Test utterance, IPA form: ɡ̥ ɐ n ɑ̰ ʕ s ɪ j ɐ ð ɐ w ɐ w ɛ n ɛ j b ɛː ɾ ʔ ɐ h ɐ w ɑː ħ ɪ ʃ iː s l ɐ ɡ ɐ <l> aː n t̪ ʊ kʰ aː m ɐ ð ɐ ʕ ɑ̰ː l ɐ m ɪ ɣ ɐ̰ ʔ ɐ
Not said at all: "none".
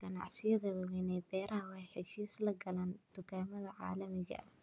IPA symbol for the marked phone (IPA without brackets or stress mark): l